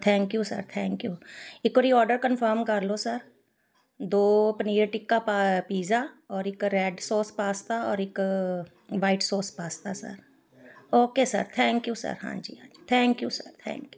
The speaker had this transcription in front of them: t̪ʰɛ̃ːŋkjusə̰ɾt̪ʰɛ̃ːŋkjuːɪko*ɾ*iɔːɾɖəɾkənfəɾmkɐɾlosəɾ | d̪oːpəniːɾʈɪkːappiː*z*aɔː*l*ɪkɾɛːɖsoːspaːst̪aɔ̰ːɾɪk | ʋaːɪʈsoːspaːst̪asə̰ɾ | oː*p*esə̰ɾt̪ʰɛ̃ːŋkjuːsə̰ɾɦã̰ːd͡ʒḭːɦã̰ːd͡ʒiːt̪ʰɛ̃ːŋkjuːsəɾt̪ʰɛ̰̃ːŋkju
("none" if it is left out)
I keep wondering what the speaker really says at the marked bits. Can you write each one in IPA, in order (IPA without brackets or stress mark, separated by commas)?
ɾ, z, ɾ, k